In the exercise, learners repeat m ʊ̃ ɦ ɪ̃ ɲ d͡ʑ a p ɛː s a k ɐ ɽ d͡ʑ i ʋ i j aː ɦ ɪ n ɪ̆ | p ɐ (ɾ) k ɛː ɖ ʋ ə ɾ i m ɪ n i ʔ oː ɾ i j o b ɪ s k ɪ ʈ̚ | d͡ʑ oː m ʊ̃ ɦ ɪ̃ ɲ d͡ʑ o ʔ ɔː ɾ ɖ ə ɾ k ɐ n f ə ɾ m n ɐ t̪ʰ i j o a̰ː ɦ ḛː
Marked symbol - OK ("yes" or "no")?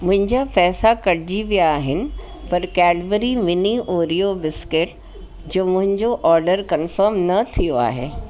yes